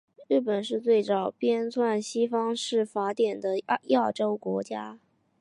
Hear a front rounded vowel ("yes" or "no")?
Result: no